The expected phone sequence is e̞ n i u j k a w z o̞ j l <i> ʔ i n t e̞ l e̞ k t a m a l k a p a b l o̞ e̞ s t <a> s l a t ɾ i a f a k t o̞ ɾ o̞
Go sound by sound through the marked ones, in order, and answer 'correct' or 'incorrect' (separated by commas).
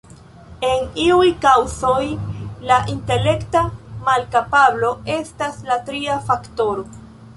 incorrect, correct